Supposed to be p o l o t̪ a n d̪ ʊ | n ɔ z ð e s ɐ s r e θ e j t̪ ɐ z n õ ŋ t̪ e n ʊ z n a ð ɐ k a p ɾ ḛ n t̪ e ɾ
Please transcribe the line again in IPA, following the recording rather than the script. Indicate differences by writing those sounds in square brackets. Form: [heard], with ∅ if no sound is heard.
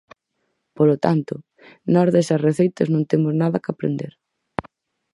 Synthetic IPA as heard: p o l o t̪ a n [t̪] ʊ | n ɔ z ð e s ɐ s r e θ e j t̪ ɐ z n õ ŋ t̪ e [m] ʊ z n a ð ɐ k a p ɾ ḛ n [d̪] e ɾ